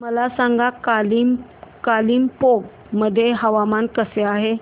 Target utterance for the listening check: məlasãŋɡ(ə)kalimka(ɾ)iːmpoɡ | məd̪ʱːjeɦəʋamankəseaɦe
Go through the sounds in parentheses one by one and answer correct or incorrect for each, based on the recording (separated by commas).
incorrect, incorrect